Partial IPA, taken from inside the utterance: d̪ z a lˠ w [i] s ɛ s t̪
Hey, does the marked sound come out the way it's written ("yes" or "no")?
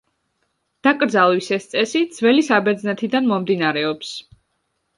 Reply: yes